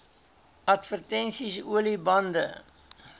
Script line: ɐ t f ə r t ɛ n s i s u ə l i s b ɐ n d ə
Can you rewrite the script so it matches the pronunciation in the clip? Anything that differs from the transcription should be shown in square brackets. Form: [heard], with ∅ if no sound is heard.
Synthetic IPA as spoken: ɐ t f ə r t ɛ n s i s u ə l i [∅] b ɐ n d ə